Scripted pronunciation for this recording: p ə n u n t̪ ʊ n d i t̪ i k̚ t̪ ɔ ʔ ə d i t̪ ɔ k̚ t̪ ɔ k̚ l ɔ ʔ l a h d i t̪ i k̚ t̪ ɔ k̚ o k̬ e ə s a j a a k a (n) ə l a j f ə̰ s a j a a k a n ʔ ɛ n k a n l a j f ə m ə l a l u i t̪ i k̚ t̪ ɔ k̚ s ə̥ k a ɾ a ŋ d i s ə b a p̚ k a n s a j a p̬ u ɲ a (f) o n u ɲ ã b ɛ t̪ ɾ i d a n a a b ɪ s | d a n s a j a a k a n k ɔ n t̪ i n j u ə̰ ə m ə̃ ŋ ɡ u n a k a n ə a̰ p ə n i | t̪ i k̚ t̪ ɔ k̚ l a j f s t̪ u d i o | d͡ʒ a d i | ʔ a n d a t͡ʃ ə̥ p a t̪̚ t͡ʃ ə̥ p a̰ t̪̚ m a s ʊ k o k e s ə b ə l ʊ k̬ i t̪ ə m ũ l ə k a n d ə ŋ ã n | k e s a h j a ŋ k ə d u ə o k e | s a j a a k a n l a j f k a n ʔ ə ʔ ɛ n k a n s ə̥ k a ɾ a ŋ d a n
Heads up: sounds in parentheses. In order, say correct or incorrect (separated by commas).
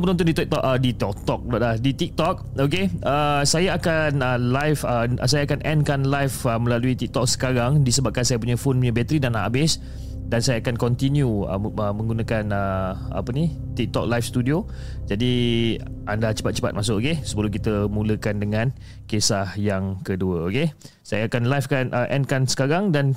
correct, correct